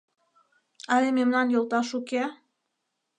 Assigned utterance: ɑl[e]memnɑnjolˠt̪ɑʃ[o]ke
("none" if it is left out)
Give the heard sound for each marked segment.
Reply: e, u

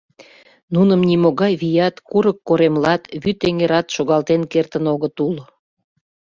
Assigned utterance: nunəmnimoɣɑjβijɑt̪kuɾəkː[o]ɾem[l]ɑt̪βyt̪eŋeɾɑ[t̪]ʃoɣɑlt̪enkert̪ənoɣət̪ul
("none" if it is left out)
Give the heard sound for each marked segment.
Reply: o, l, t̪

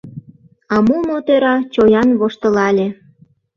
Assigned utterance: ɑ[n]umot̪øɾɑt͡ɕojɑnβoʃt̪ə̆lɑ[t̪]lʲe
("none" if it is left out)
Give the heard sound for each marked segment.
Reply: m, none

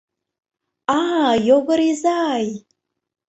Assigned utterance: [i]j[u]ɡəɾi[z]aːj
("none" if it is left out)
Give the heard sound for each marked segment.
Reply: a, o, z

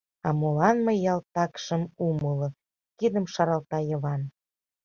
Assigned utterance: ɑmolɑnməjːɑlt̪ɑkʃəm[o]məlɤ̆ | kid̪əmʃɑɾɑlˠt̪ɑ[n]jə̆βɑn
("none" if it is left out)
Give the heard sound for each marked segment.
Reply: u, none

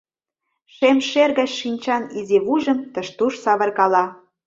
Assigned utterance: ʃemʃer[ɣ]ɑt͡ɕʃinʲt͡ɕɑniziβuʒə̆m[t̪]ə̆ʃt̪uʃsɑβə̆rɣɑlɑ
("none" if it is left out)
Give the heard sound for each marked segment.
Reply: ɣ, t̪

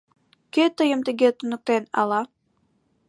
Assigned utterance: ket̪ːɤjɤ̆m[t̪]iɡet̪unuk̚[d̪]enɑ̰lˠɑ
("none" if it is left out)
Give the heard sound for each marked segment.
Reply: t̪, t̪

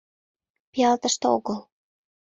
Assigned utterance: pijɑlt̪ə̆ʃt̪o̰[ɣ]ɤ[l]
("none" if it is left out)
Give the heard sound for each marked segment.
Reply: ɣ, l

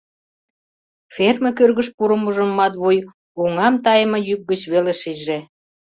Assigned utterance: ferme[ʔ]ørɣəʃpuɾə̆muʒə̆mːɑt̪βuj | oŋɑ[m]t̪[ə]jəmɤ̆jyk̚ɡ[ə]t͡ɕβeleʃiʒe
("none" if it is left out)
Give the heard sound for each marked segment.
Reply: k, m, ɑ, ə

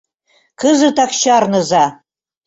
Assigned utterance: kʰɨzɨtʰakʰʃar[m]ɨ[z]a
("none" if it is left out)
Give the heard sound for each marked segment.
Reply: n, z

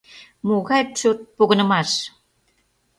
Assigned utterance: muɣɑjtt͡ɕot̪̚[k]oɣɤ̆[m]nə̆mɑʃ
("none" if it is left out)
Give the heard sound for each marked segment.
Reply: p, none

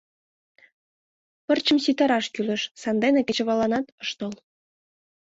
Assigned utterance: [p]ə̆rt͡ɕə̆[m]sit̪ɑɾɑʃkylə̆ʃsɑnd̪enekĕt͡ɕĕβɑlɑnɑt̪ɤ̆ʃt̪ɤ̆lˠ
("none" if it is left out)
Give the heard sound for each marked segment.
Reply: p, m

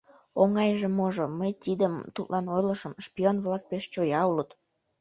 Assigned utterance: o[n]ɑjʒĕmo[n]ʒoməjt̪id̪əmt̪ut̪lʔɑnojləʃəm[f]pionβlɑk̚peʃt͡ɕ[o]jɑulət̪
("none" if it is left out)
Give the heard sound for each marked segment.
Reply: ŋ, none, ʃ, o

